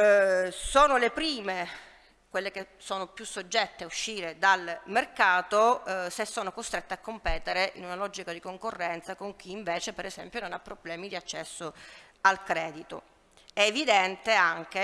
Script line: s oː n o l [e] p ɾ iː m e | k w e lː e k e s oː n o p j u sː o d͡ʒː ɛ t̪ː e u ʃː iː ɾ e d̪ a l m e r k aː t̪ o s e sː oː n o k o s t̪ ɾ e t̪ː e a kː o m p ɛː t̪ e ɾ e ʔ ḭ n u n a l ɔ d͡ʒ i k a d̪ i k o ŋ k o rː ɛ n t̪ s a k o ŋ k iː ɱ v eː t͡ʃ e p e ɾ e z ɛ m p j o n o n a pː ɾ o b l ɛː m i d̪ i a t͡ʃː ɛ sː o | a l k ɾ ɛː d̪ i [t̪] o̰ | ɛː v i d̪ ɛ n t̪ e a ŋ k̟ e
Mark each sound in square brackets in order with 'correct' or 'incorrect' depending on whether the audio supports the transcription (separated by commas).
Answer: correct, correct